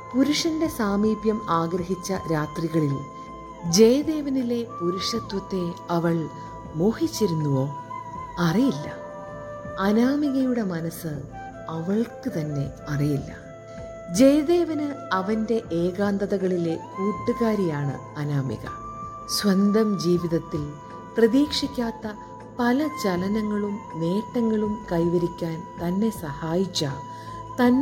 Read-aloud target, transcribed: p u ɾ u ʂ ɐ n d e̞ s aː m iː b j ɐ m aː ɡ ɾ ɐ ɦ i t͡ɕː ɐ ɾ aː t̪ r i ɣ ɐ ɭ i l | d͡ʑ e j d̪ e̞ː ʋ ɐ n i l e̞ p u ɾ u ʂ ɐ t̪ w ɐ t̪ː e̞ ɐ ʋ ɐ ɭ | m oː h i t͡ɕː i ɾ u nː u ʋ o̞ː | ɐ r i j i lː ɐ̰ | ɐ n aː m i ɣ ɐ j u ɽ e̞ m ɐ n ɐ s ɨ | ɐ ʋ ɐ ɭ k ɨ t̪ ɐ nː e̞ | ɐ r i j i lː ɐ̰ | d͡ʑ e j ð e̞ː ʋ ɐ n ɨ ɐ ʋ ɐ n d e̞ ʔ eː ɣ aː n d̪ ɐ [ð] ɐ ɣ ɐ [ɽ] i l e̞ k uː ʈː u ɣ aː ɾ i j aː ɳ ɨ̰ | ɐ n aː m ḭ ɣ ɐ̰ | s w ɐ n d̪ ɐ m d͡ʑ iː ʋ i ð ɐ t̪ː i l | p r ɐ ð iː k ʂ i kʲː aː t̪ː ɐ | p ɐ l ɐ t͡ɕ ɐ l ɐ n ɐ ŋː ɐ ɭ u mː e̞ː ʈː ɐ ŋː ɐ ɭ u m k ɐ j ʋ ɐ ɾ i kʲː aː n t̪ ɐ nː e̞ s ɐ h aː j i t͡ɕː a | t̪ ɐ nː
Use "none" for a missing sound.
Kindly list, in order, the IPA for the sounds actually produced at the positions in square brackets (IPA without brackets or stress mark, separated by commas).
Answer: ð, ɭ